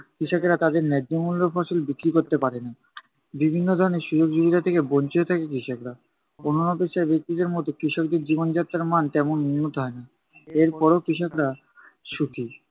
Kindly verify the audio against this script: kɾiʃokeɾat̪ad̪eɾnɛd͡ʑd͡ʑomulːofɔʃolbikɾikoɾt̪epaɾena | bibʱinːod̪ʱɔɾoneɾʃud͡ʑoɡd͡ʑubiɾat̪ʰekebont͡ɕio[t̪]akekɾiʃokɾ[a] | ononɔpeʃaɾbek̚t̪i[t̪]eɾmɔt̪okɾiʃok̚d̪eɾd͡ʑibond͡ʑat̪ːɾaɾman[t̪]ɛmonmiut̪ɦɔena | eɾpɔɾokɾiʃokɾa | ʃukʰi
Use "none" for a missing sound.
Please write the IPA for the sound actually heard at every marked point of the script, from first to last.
t̪ʰ, a, d̪, t̪

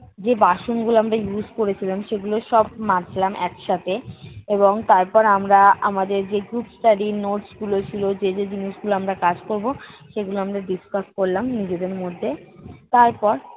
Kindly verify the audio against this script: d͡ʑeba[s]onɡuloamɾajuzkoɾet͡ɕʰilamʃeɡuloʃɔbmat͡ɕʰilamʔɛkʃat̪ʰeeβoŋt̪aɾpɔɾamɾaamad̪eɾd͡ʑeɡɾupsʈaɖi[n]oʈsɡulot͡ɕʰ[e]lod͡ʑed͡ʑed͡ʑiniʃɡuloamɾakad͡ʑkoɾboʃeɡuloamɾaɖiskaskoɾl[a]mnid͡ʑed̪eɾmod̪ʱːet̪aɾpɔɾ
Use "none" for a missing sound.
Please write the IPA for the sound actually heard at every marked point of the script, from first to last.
ʃ, n, i, a

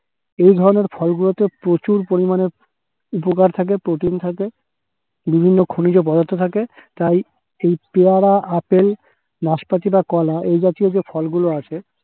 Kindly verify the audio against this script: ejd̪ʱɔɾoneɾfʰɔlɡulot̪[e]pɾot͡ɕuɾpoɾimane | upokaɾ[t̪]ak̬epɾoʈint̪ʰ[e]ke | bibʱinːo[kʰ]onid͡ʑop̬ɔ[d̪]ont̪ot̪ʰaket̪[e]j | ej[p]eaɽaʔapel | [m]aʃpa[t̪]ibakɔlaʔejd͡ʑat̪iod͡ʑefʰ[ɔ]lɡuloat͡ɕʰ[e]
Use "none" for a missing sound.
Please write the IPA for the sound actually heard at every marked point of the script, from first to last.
e, t̪ʰ, a, kʰ, d̪, a, p, n, t̪, ɔ, e

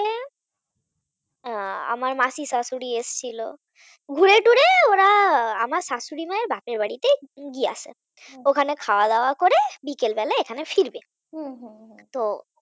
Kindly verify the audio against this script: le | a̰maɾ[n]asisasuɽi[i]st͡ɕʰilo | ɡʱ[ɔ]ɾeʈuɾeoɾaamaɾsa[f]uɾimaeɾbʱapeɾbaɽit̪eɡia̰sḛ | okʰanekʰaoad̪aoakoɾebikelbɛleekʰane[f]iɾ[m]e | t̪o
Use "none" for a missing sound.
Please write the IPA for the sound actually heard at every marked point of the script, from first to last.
m, e, u, s, f, b

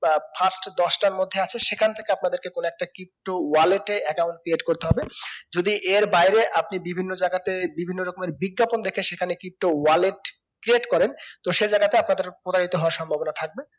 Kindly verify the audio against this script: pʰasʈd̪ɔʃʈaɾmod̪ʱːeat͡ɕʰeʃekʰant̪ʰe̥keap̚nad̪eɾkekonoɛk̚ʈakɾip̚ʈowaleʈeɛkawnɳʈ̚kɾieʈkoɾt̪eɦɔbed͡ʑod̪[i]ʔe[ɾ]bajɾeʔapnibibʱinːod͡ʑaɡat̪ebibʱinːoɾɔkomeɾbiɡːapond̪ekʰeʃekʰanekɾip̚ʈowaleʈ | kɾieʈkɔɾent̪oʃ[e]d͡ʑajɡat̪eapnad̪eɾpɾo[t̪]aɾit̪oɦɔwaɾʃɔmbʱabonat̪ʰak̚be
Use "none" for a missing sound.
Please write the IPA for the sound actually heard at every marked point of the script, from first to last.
i, ɾ, e, t̪

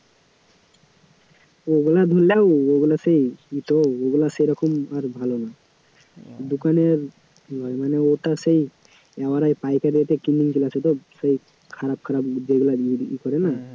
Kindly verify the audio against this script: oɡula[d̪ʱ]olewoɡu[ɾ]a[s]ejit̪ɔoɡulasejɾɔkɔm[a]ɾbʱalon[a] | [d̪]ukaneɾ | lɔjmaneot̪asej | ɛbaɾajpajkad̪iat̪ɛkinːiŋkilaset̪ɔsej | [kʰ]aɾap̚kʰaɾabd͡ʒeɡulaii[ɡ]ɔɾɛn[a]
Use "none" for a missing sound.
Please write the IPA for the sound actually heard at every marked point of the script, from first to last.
d̪ʱ, l, s, a, a, d̪, kʰ, k, a

